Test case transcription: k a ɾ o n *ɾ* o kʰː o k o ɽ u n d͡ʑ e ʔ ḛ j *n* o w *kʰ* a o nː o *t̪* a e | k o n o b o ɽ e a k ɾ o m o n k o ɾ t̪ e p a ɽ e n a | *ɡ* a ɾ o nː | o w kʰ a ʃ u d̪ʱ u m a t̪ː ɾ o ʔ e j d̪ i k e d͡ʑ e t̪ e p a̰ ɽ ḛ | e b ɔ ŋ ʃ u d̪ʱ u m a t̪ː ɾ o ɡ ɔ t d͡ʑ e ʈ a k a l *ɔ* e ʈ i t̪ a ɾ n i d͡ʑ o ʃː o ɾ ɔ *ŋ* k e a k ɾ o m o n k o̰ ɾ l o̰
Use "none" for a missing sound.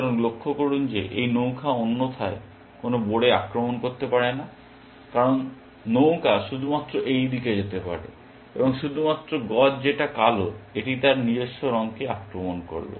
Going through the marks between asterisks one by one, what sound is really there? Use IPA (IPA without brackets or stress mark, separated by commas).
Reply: l, n, kʰ, t̪ʰ, k, o, ŋ